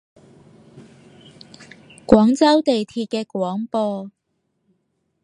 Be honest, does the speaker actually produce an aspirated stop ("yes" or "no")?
yes